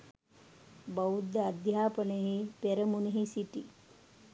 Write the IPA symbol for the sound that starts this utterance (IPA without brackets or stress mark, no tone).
b